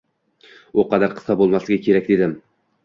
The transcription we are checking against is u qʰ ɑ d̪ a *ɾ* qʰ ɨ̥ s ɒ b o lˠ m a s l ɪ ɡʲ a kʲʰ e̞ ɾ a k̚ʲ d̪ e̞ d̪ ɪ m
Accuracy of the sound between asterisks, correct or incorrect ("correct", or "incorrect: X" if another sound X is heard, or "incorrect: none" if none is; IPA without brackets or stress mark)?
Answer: correct